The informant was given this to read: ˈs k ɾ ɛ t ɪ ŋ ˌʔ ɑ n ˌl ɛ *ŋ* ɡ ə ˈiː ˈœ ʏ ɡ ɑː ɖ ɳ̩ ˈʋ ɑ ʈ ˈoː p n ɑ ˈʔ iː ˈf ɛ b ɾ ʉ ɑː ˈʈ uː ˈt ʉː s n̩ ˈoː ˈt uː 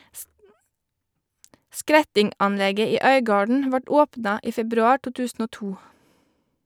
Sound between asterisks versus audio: incorrect: none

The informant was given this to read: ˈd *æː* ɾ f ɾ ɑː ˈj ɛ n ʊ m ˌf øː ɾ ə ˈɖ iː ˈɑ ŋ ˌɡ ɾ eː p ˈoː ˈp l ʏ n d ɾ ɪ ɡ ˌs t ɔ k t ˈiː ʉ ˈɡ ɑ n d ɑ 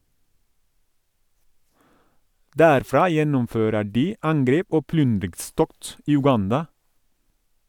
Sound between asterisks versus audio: correct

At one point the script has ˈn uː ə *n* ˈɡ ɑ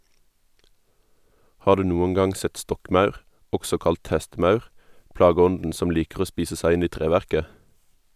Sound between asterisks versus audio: incorrect: ŋ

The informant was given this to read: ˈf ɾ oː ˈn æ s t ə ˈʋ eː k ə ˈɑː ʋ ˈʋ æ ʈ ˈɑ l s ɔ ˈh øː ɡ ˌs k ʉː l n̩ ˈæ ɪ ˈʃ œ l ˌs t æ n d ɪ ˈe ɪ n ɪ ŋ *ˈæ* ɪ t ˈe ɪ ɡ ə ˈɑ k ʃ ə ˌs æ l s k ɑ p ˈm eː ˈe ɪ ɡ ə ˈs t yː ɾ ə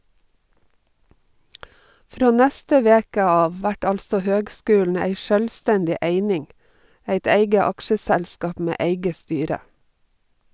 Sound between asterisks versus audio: correct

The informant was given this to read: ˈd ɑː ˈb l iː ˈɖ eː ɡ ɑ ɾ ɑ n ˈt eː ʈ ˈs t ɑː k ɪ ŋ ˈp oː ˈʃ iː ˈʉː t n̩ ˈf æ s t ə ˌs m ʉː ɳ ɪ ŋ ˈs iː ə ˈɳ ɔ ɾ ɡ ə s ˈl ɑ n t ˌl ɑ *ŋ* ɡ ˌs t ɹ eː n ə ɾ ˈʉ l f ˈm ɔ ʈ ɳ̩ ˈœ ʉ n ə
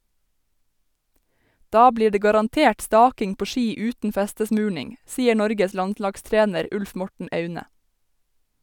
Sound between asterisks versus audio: incorrect: none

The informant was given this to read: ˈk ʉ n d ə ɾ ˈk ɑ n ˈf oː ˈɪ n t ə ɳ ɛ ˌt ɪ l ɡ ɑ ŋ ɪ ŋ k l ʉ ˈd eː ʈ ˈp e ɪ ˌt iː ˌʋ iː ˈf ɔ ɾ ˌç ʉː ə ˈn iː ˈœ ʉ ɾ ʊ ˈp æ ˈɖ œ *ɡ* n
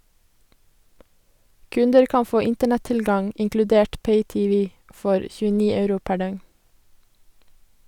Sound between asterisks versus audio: incorrect: ŋ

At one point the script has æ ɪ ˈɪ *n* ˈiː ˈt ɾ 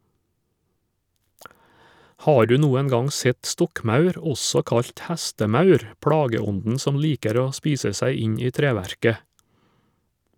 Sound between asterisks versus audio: incorrect: ɲ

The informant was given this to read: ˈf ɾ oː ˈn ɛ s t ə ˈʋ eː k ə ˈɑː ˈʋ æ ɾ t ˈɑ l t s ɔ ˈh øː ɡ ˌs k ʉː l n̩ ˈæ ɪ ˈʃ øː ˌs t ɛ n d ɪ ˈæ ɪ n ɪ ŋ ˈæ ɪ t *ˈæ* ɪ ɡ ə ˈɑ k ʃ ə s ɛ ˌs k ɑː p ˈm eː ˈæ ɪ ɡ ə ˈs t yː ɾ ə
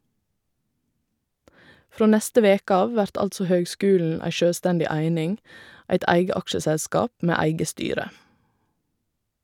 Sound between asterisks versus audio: correct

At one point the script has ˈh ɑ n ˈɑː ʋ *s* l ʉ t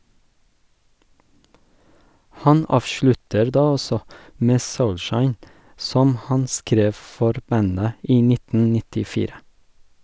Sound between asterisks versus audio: incorrect: ʃ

